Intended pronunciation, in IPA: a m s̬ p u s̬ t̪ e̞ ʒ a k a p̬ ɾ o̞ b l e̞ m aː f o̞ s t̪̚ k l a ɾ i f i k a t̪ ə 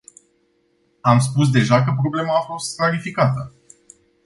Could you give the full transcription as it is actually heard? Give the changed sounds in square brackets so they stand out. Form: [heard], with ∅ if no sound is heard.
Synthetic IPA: a m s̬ p u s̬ [d̪] e̞ ʒ a k [ə] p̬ ɾ o̞ b l e̞ m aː f o̞ s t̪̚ k l a ɾ i f i k a t̪ ə